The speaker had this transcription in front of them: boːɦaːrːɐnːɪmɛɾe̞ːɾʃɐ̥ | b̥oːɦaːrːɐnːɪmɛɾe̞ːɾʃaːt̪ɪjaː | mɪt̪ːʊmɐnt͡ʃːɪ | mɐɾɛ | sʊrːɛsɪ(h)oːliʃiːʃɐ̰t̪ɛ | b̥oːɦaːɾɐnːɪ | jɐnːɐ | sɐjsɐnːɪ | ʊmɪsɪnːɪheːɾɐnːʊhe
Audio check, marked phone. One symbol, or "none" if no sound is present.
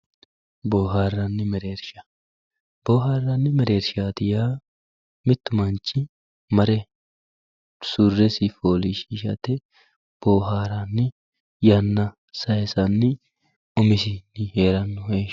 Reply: f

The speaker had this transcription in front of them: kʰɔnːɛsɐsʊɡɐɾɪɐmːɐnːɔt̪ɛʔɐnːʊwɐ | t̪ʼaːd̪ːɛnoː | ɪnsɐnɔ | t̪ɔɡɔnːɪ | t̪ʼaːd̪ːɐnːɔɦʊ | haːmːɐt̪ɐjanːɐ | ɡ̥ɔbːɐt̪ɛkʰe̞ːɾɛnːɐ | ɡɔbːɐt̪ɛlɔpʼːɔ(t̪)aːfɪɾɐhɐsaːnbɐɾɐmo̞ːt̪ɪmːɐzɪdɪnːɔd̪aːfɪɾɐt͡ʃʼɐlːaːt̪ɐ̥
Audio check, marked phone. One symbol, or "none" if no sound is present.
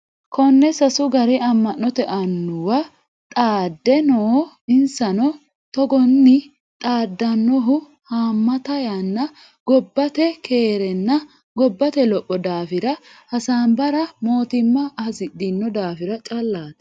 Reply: d̪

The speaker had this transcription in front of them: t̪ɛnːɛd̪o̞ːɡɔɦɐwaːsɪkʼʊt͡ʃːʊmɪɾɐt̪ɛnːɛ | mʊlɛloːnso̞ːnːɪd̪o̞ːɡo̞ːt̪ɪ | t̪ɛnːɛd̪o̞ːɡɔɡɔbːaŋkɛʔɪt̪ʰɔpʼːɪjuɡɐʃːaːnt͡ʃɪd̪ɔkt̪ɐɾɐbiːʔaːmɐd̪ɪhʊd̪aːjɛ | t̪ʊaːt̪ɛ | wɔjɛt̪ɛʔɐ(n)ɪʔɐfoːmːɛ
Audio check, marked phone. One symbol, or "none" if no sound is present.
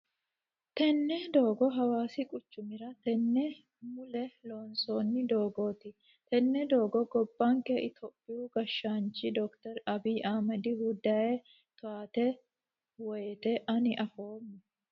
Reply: n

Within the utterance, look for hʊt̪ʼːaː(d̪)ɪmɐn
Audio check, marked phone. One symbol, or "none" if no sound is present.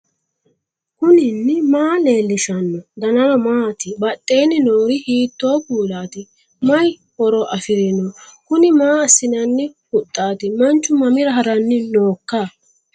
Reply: t̪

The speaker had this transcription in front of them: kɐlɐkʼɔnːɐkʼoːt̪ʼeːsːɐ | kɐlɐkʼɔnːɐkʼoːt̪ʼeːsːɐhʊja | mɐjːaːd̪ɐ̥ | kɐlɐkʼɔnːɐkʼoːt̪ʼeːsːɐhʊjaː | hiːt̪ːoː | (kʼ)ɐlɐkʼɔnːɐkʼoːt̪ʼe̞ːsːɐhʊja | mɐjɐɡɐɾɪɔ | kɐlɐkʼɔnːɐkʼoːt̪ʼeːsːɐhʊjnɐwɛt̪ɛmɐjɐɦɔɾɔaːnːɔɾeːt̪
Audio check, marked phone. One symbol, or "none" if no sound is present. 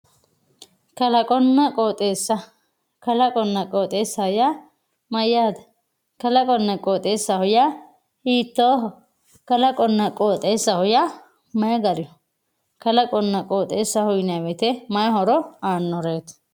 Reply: k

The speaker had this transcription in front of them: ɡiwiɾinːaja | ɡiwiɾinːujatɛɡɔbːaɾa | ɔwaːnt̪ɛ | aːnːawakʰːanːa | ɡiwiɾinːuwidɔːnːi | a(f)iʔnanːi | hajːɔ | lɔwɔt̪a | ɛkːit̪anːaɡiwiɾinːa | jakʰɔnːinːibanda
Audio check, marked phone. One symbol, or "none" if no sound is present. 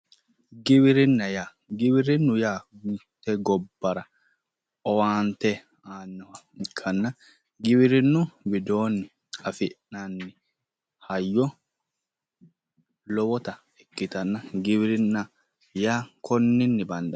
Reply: f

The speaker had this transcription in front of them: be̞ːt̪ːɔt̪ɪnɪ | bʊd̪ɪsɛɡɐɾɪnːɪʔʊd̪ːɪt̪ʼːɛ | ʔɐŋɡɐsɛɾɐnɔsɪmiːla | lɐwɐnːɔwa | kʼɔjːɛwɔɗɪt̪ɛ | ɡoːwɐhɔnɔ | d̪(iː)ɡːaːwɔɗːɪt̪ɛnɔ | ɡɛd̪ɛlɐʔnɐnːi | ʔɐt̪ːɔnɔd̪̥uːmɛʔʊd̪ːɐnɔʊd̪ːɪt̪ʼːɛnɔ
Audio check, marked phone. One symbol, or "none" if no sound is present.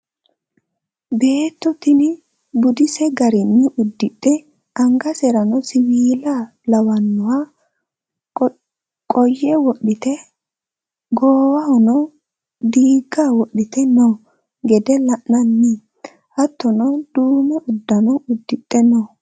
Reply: iː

